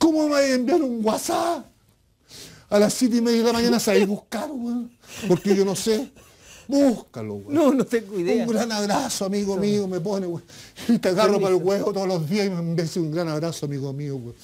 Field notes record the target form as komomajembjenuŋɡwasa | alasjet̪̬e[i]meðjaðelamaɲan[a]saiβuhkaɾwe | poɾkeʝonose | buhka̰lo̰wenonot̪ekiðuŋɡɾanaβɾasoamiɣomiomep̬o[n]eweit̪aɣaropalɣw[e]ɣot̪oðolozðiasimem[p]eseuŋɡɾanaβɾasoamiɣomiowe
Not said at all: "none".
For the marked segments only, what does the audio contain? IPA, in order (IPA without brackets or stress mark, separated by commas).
i, a, n, e, b